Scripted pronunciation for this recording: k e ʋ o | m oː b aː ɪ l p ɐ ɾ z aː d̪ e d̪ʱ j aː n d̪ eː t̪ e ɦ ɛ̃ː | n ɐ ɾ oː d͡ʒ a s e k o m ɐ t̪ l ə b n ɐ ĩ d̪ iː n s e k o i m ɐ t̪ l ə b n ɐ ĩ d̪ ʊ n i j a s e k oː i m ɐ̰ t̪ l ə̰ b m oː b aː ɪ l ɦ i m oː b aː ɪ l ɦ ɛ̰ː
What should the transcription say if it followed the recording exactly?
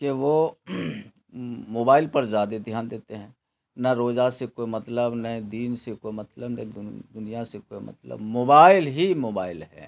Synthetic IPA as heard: k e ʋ o | m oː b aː ɪ l p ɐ ɾ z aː d̪ e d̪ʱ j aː n d̪ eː t̪ e ɦ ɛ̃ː | n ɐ ɾ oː d͡ʒ a s e k o m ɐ t̪ l ə b n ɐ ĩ d̪ iː n s e k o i m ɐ t̪ l ə b n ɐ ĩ d̪ ʊ n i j a s e k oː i m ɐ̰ t̪ l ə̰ b m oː b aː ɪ l ɦ i m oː b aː ɪ l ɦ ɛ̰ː